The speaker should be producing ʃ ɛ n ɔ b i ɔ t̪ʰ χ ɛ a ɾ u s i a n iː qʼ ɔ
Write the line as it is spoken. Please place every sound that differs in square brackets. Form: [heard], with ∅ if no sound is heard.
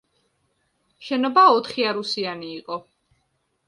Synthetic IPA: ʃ ɛ n ɔ b [a] ɔ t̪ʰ χ [i] a ɾ u s i a n iː qʼ ɔ